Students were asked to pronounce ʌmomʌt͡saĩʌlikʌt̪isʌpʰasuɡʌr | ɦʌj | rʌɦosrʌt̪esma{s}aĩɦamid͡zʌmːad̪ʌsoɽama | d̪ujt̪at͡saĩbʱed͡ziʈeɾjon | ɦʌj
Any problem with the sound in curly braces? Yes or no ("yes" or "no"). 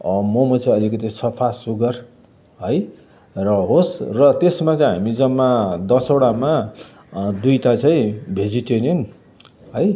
yes